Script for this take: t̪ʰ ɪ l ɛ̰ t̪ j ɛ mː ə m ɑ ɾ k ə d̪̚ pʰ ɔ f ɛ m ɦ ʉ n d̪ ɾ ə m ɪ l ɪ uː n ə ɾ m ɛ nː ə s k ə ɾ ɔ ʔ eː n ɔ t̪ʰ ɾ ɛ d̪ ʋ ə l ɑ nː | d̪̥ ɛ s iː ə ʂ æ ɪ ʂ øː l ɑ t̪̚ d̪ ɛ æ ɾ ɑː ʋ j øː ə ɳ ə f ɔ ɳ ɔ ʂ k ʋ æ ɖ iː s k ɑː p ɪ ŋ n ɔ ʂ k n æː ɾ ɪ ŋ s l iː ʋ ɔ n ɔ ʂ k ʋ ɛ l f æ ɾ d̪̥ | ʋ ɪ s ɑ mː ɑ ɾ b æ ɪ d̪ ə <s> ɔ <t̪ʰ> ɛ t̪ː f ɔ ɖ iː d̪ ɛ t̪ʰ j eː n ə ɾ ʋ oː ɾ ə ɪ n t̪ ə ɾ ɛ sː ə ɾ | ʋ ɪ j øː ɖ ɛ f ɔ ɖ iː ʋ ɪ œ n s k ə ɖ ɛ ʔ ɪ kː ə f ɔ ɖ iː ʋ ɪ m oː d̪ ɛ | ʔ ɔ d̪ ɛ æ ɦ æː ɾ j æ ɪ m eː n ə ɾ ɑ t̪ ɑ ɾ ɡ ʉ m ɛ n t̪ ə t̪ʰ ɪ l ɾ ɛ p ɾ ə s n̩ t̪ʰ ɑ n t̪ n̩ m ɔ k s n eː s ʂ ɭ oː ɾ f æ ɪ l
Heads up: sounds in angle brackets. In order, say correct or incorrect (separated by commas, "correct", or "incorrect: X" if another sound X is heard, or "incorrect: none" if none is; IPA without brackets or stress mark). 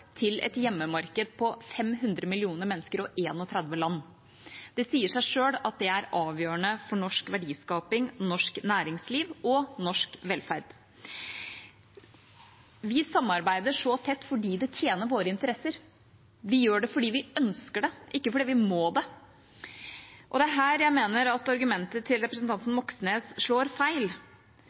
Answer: incorrect: ʂ, correct